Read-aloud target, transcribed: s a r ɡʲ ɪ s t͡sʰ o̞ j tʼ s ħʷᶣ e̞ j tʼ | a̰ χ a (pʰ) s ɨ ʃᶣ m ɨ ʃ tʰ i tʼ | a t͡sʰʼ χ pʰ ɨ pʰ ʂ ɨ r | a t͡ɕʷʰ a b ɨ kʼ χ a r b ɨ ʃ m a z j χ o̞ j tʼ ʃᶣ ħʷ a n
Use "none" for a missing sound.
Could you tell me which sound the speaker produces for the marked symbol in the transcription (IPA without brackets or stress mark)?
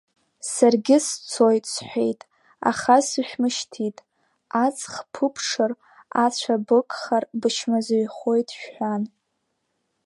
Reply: none